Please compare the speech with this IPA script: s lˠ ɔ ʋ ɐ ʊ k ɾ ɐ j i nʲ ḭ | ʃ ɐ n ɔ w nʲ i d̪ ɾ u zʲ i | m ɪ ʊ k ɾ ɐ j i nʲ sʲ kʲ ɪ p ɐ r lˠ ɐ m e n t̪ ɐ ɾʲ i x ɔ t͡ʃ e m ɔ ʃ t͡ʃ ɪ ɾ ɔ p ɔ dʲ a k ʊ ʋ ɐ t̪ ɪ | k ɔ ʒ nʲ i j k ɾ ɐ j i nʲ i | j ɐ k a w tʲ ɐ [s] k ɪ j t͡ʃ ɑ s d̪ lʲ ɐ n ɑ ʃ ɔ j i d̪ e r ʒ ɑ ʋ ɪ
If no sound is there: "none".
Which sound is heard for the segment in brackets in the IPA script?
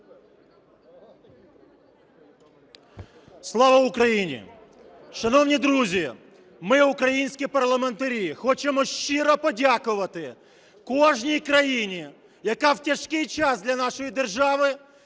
ʃ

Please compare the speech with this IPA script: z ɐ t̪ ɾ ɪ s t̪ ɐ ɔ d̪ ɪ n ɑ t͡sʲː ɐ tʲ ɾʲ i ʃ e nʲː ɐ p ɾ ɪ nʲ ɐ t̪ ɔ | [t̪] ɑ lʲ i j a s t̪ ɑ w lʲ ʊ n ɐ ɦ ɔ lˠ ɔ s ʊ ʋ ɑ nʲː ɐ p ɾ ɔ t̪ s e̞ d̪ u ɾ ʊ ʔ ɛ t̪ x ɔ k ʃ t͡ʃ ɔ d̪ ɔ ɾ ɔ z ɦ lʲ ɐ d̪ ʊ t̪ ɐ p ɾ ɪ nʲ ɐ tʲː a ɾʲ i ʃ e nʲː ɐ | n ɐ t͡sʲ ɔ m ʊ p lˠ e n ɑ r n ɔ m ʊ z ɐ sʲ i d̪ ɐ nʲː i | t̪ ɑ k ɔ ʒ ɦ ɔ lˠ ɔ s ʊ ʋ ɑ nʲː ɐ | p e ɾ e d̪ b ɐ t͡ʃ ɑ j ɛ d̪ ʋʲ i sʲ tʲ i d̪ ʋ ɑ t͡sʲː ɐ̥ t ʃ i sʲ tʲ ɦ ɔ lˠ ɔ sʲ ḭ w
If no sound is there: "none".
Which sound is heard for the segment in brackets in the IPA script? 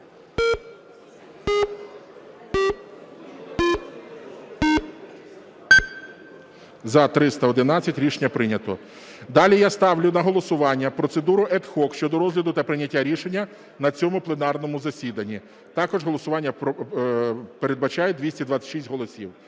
d̪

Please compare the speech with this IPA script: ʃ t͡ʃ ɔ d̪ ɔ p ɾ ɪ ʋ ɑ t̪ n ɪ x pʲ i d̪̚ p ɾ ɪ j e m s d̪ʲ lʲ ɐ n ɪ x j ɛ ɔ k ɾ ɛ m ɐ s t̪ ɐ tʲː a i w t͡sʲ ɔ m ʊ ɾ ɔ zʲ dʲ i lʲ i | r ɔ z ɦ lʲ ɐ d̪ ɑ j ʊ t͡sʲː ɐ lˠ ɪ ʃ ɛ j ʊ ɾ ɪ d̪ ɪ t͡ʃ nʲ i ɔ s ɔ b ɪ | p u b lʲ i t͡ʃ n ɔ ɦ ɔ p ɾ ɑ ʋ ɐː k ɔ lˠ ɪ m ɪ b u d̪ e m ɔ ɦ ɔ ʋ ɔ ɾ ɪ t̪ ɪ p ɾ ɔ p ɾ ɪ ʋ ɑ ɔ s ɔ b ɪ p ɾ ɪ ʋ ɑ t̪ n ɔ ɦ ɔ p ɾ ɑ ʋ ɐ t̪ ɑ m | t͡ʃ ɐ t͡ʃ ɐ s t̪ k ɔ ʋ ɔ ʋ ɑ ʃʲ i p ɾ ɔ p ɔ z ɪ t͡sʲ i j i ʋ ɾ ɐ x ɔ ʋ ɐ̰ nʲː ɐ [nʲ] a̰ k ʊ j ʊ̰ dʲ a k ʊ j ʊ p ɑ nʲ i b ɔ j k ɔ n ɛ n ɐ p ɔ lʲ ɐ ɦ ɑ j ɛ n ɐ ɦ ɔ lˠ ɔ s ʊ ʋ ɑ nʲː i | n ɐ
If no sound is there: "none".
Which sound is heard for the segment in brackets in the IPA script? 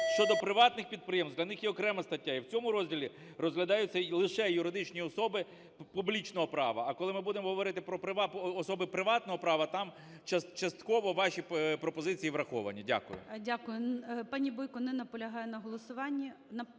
dʲ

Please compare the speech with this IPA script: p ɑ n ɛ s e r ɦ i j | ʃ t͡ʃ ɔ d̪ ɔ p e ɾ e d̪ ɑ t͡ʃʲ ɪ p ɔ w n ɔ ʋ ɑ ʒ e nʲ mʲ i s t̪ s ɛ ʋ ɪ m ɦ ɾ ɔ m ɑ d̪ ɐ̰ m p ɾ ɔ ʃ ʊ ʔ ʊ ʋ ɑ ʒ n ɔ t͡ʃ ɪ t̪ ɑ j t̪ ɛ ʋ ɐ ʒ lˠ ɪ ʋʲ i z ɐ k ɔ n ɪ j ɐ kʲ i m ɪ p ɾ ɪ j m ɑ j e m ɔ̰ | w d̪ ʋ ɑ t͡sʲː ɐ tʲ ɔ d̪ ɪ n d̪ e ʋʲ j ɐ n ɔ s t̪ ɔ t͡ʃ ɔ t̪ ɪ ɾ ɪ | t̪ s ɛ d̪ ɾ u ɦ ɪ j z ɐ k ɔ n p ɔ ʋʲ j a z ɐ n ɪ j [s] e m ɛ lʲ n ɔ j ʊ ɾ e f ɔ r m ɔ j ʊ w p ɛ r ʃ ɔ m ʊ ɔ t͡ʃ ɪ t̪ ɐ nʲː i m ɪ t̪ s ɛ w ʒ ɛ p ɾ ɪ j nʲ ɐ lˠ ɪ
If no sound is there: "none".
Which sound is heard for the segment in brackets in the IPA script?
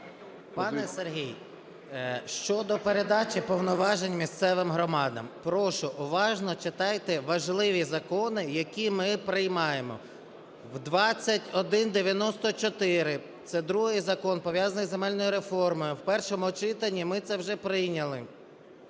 z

